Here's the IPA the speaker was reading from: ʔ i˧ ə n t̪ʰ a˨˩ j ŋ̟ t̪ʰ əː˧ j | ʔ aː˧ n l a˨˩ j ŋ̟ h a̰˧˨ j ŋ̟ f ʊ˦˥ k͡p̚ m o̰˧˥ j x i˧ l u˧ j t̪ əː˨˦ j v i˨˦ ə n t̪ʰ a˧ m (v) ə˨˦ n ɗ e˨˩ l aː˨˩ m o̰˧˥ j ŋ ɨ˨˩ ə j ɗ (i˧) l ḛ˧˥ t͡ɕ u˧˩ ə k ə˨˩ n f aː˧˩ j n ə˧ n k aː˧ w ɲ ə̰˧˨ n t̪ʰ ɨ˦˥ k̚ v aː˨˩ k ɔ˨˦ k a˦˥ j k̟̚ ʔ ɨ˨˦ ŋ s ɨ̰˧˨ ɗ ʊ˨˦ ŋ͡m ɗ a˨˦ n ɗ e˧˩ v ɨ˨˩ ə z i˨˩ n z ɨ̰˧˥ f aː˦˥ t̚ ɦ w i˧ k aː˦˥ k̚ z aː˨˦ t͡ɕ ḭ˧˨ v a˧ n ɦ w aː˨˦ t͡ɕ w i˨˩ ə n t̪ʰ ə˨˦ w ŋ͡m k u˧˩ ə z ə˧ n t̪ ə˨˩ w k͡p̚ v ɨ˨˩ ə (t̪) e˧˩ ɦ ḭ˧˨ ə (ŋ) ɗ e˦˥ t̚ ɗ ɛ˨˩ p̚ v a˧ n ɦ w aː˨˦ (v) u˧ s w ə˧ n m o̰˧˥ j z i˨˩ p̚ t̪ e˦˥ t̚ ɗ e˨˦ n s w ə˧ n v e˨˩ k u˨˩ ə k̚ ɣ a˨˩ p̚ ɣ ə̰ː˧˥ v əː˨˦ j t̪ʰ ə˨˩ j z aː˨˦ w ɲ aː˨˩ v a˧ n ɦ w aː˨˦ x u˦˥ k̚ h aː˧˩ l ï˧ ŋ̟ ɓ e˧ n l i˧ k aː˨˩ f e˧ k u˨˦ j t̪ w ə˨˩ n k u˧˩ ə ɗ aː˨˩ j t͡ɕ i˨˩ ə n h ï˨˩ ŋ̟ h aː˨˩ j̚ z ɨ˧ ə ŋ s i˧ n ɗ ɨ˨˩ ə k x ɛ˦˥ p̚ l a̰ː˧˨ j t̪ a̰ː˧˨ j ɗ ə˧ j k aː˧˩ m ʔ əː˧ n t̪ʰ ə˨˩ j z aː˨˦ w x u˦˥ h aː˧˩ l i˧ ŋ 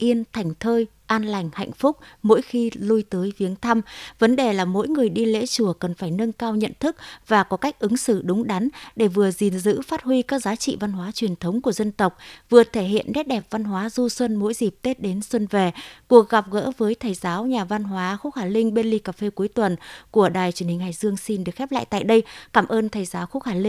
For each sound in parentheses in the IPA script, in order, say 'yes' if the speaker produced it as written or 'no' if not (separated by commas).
yes, yes, no, no, no